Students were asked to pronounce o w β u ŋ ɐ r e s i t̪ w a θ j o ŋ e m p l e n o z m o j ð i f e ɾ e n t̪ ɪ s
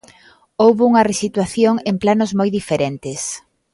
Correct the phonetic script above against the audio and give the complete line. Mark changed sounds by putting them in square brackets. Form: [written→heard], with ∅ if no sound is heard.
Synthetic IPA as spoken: o w β u ŋ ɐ r e s i t̪ w a θ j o ŋ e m p l [e→a] n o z m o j ð i f e ɾ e n t̪ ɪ s